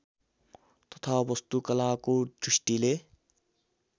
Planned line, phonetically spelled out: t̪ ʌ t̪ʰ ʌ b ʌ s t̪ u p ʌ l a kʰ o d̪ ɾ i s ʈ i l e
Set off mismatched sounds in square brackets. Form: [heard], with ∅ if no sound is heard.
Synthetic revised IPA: t̪ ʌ t̪ʰ [a] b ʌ s t̪ u [k] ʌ l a [k] o d̪ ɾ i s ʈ i l e